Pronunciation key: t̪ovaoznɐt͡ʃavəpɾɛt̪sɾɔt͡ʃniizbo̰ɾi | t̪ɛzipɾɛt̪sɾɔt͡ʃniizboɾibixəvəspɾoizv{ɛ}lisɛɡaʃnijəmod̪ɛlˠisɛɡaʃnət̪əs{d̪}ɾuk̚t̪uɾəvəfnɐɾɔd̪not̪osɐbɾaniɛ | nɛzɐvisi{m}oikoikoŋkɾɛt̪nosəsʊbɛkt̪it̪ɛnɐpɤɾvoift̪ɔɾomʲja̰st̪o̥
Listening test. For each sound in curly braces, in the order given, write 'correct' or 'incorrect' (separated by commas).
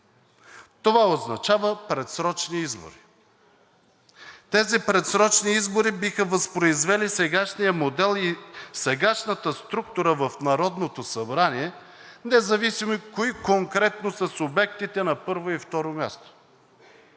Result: correct, incorrect, correct